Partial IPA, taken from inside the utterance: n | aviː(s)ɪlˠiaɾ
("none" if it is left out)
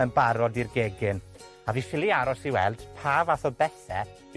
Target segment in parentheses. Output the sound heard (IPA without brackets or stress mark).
f